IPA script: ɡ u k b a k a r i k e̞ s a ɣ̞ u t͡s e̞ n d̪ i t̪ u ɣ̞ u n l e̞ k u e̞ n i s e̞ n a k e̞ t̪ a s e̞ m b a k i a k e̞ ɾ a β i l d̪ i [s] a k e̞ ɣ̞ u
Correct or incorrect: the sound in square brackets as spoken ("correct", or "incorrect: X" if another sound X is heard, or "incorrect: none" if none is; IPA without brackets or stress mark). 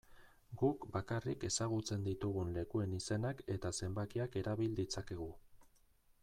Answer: incorrect: t͡s